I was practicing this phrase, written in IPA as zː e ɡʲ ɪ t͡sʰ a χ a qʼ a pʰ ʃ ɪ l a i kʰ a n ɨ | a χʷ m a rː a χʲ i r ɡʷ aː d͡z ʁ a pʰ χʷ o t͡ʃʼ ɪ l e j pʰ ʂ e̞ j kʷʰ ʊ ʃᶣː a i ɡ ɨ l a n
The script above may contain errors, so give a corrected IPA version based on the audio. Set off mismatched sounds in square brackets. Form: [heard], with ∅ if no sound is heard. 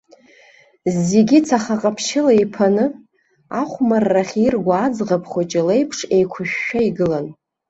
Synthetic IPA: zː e ɡʲ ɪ t͡sʰ a χ a qʼ a pʰ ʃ ɪ l a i [pʰ] a n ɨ | a χʷ m a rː a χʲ i r ɡʷ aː d͡z ʁ a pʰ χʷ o t͡ʃʼ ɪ l e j pʰ ʂ e̞ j kʷʰ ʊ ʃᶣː a i ɡ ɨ l a n